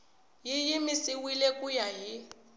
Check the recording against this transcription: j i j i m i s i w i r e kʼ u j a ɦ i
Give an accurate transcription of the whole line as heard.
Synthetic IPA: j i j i m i s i w i l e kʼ u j a ɦ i